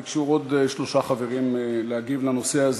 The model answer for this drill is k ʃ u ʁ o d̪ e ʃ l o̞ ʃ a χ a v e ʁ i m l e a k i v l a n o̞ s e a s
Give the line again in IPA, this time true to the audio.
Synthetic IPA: k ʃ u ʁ o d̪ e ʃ l o̞ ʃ a χ a v e ʁ i m l e a ɡ i v l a n o̞ s e a z

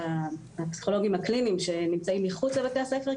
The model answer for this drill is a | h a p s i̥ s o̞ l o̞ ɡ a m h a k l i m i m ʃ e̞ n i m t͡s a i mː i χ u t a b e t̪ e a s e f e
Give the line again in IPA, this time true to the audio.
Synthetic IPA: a | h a p s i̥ χ o̞ l o̞ ɡ i m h a k l i n i m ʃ e̞ n i m t͡s a i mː i χ u t͡s a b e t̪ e a s e f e

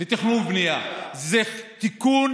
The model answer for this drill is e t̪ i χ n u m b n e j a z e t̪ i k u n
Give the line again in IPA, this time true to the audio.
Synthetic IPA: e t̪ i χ n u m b n i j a z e t̪ i k u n

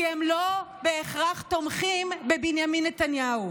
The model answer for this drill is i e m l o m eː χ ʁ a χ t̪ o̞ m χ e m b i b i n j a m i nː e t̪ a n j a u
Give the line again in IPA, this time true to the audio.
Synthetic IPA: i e m l o b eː χ ʁ a χ t̪ o̞ m χ i m b e b i n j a m i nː e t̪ a n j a u

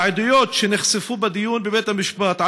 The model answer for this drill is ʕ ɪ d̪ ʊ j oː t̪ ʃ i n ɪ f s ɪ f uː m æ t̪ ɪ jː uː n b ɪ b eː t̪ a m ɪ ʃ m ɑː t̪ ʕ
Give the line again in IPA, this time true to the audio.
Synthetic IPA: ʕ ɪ d̪ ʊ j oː t̪ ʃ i n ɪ x s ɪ f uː b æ d̪ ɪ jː uː n b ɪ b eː t̪ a m ɪ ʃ b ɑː t̪ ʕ

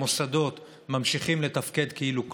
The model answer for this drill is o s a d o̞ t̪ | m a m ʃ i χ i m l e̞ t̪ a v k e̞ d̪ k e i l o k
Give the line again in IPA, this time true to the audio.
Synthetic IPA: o s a d o̞ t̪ | m a m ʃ i χ i m l e̞ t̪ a f k e̞ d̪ k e i l u k

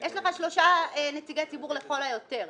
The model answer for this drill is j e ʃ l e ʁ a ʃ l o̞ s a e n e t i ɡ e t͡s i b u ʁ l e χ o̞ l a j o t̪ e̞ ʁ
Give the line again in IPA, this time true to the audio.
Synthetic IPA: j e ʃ l e χ a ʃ l o̞ ʃ a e n e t i ɡ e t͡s i b u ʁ l e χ o̞ l a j o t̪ e̞ ʁ

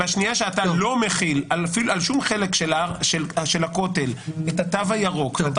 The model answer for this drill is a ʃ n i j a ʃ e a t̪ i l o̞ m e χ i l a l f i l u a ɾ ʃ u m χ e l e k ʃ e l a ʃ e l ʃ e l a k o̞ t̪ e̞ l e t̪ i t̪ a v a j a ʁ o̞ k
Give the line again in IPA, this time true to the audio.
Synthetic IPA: a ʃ n i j a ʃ e a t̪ a l o̞ m e χ i l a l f i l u a l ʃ u m χ e l e k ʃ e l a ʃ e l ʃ e l a k o̞ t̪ e̞ l e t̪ a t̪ a v a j a ʁ o̞ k

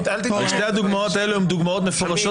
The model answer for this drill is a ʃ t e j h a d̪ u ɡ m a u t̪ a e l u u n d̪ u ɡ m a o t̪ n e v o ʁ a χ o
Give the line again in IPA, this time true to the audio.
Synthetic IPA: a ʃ t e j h a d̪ u ɡ m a o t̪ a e l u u m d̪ u ɡ m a o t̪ m e f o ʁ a ʃ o

